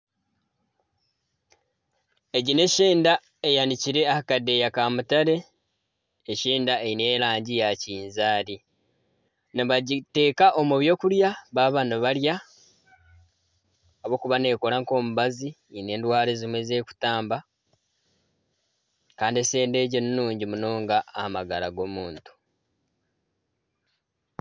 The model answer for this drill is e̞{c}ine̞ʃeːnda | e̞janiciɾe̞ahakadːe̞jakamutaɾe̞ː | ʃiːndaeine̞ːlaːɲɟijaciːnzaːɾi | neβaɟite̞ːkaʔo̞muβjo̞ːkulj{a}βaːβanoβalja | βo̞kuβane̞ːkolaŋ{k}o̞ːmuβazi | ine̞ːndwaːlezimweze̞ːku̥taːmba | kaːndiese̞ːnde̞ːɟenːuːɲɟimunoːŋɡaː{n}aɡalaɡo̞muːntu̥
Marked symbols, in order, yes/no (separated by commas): no, yes, yes, no